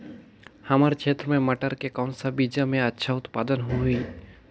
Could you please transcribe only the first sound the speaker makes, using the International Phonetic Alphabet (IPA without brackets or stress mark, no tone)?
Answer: h